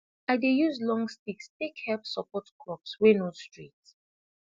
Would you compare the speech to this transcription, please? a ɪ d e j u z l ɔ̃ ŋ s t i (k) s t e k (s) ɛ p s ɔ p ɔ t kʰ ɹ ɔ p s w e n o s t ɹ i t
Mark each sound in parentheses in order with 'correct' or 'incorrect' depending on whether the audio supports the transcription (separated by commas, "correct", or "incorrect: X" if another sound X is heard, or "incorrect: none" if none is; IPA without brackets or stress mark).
correct, incorrect: h